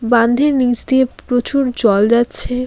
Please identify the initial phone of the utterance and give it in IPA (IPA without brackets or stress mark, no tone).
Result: b